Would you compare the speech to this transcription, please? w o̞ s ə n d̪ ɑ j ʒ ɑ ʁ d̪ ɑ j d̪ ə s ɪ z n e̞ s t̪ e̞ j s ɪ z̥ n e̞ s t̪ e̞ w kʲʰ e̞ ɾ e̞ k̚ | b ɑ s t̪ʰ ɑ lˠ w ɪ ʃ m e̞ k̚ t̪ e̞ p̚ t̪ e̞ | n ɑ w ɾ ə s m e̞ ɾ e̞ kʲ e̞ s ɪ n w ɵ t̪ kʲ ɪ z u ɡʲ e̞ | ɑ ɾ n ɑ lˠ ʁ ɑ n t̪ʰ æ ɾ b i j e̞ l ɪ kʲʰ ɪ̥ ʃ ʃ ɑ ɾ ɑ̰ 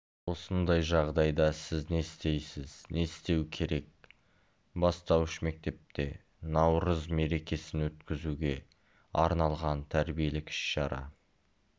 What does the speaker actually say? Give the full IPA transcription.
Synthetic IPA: w o̞ s ə n d̪ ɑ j ʒ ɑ ʁ d̪ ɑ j d̪ ɑ s ɪ z n e̞ s t̪ e̞ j s ɪ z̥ n e̞ s t̪ e̞ w kʲʰ e̞ ɾ e̞ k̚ | b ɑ s t̪ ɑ w ɪ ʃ m e̞ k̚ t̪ e̞ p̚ t̪ e̞ | n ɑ w ɾ ə z m e̞ ɾ e̞ kʲ e̞ s ɪ n w ɵ t̪ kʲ ɪ z u ɡʲ e̞ | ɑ ɾ n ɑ lˠ ʁ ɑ n t̪ʰ æ ɾ b i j e̞ l ɪ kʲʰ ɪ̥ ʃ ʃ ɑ ɾ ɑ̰